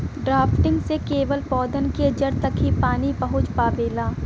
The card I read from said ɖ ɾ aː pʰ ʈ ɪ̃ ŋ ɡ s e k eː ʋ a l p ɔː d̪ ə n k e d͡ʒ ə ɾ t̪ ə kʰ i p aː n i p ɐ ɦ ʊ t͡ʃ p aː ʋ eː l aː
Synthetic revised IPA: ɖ ɾ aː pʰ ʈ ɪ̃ ŋ ɡ s e k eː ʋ ə l p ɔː d̪ ə n k e d͡ʒ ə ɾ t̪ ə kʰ i p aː n i p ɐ ɦ ʊ t͡ʃ p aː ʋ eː l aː

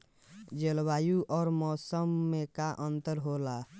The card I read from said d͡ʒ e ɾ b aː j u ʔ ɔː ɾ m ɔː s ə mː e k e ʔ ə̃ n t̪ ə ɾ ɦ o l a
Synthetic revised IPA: d͡ʒ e l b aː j u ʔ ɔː ɾ m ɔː s ə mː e k a ʔ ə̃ n t̪ ə ɾ ɦ o l a

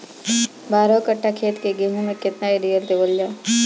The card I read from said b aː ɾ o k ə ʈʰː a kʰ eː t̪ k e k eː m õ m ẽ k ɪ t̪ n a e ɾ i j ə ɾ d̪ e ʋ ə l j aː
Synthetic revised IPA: b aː ɾ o k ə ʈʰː a kʰ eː t̪ k e ɡ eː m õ m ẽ k ɪ t̪ n a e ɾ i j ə ɾ d̪ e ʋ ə l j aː

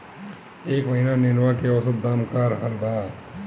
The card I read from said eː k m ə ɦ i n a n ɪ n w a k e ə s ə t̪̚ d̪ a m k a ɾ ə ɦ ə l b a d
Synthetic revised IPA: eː k m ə ɦ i n a n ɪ n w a k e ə s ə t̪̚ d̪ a m k a ɾ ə ɦ ə l b a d

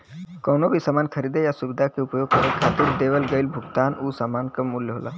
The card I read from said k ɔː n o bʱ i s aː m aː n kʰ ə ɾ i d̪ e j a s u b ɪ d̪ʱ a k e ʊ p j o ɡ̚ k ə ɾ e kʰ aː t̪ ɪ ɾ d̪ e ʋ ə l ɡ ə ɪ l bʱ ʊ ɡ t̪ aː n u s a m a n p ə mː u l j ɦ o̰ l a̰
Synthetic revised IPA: k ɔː n o bʱ i s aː m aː n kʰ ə ɾ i d̪ e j a s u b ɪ d̪ʱ a k e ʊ p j o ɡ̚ k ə ɾ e kʰ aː t̪ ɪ ɾ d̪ e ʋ ə l ɡ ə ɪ l bʱ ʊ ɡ t̪ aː n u s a m a n k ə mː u l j ɦ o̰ l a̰

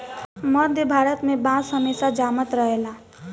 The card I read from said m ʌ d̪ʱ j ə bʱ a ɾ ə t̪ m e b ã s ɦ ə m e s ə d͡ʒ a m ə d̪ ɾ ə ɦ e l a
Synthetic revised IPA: m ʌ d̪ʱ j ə bʱ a ɾ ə t̪ m e b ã s ɦ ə m e s a d͡ʒ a m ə t̪ ɾ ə ɦ e l a

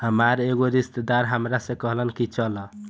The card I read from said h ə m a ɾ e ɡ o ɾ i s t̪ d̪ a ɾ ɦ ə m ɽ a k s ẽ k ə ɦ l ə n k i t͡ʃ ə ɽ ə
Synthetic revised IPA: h ə m a ɾ e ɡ o ɾ i s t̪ d̪ a ɾ ɦ ə m ɾ a s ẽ k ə ɦ l ə n k i t͡ʃ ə l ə

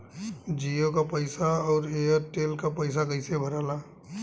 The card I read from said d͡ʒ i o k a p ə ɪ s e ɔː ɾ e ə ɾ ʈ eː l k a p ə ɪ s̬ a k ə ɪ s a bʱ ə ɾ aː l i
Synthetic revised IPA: d͡ʒ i o k a p ə ɪ s a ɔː ɾ e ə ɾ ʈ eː l k a p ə ɪ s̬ a k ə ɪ s e bʱ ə ɾ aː l a

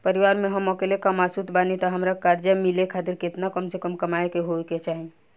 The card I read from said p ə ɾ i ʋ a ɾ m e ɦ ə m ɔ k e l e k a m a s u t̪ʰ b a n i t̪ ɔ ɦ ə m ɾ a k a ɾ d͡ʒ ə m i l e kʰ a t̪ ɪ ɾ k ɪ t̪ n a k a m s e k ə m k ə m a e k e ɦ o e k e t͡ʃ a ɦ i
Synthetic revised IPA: p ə ɾ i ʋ a ɾ m e ɦ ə m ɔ k e l e k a m a s u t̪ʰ b a n i t̪ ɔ ɦ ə m ɾ a k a ɾ d͡ʒ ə m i l e kʰ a t̪ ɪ ɾ k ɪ t̪ n a k ə m s e k ə m k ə m a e k e ɦ o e k e t͡ʃ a ɦ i

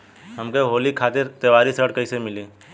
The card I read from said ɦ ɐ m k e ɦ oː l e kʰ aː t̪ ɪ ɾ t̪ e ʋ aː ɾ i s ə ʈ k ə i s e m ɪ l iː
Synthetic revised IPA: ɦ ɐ m k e ɦ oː l i kʰ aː t̪ ɪ ɾ t̪ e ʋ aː ɾ i s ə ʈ k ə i s e m ɪ l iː

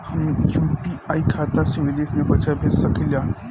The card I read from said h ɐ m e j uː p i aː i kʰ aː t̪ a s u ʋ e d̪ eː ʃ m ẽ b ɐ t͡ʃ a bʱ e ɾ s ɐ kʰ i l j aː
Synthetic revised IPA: h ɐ m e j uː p i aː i kʰ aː t̪ a s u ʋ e d̪ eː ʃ m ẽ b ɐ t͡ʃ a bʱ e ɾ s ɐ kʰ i l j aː

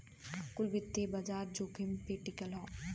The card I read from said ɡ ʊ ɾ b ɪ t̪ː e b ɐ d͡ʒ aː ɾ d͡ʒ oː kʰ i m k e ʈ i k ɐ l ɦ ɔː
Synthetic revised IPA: k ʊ l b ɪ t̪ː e b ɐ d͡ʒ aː ɾ d͡ʒ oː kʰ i m p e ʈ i k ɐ l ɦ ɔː

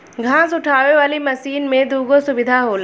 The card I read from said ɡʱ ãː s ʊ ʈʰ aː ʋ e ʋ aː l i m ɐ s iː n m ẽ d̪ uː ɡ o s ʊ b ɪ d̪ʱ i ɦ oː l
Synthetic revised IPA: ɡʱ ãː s ʊ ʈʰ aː ʋ e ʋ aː l i m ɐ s iː n m ẽ d̪ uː ɡ o s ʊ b ɪ d̪ʱ a ɦ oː l

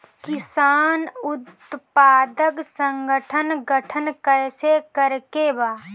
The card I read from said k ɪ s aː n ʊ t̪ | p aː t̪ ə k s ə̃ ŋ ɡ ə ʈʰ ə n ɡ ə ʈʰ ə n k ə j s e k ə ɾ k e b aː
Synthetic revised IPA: k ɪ s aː n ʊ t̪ | p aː d̪ ə k s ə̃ ŋ ɡ ə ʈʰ ə n ɡ ə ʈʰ ə n k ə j s e k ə ɾ k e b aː

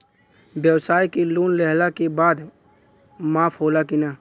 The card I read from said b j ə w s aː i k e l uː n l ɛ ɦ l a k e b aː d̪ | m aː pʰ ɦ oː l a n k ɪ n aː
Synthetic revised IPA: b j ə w s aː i k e l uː n l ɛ ɦ l a k e b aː d̪ | m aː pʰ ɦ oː l a k ɪ n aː

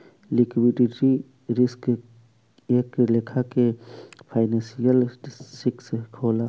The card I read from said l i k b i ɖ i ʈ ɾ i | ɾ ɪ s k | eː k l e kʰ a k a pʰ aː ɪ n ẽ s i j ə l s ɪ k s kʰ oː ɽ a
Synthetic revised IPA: l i k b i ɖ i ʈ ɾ i | ɾ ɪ s k | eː k l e kʰ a k e pʰ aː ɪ n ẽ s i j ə l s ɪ k s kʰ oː l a

